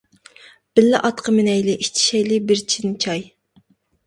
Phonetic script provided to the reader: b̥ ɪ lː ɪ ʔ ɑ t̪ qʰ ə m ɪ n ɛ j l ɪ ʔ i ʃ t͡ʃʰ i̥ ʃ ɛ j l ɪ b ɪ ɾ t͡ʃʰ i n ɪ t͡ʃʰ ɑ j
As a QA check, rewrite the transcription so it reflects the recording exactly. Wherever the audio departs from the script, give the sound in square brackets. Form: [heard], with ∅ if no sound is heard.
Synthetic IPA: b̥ ɪ lː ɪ ʔ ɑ t̪ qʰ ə m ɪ n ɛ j l ɪ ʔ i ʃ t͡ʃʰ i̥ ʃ ɛ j l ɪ b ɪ ɾ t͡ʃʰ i n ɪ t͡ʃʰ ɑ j

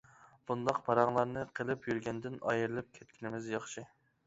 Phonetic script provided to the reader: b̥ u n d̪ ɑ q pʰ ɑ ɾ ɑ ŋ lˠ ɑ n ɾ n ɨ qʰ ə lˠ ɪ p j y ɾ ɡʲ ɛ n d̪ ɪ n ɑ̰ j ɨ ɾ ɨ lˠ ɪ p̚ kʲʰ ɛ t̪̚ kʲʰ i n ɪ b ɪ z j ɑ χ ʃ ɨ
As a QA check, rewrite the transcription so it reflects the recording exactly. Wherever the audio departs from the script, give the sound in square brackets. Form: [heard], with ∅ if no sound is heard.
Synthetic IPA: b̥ u n d̪ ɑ q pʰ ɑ ɾ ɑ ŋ lˠ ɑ [∅] ɾ n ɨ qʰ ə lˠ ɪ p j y ɾ ɡʲ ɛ n d̪ ɪ n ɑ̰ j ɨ ɾ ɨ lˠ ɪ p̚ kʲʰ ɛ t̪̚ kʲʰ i n ɪ [m] ɪ z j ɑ χ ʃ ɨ

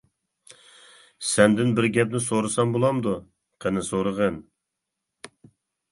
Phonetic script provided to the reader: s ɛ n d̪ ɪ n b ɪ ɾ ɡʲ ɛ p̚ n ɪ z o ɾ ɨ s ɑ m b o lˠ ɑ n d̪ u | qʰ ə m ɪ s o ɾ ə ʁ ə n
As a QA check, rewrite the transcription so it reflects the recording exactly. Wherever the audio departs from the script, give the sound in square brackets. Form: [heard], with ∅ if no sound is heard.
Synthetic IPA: s ɛ n d̪ ɪ n b ɪ ɾ ɡʲ ɛ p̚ n ɪ [s] o ɾ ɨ s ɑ m b o lˠ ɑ [m] d̪ u | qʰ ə [n] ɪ s o ɾ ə ʁ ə n

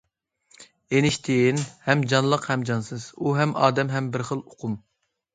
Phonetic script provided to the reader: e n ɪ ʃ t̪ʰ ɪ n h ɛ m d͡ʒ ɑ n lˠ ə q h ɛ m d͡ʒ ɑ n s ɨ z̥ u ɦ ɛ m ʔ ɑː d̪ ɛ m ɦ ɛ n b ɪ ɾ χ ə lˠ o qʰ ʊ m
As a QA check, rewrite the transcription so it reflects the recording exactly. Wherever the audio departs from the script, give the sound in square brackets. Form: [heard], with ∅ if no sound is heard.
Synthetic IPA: e n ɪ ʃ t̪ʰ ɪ n h ɛ m d͡ʒ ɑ n lˠ ə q h ɛ m d͡ʒ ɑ n s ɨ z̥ u ɦ ɛ m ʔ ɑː d̪ ɛ m ɦ ɛ [m] b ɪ ɾ χ ə lˠ o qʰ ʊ m

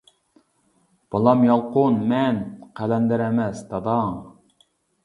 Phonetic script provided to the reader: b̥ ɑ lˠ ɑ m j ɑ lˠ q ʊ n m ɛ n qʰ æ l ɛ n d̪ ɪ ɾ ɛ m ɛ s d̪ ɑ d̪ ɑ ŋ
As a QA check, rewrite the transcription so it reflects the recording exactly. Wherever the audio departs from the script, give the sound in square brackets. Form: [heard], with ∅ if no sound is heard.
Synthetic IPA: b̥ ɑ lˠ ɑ m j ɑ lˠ q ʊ n m ɛ n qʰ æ l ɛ n d̪ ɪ ɾ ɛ m ɛ s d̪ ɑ d̪ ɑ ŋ

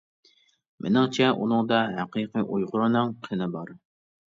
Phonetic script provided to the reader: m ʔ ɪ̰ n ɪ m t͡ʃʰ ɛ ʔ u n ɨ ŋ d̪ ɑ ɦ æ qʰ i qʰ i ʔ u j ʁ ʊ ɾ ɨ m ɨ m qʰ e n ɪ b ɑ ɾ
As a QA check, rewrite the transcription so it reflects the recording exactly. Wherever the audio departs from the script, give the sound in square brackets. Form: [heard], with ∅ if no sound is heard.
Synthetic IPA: m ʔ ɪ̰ n ɪ [ŋ] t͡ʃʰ ɛ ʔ u n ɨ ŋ d̪ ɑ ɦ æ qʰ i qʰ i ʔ u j ʁ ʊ ɾ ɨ [n] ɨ [ŋ] qʰ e n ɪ b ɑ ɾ

